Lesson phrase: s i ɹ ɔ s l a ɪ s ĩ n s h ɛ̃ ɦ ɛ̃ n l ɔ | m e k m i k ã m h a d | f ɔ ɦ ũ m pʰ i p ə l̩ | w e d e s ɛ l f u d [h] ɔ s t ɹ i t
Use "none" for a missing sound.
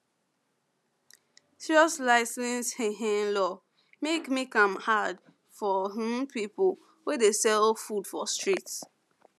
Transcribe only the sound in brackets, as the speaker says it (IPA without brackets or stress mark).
f